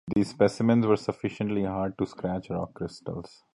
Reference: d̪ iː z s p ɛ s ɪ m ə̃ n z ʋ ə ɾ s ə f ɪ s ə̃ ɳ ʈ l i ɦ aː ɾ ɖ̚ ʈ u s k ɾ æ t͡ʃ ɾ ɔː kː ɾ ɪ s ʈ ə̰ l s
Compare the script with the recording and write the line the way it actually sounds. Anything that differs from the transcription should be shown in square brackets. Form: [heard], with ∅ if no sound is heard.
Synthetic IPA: d̪ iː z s p ɛ s ɪ m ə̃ n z ʋ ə ɾ s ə f ɪ [ʃ] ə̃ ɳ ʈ l i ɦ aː ɾ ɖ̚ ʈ u s k ɾ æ t͡ʃ ɾ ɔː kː ɾ ɪ s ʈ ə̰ l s